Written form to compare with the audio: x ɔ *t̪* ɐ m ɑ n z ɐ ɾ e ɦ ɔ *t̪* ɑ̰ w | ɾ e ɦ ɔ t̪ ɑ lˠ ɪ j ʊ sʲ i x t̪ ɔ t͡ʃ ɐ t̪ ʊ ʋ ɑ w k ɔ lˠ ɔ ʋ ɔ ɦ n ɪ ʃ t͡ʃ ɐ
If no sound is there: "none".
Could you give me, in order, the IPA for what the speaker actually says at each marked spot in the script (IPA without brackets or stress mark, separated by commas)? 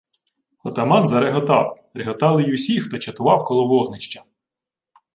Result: t̪, t̪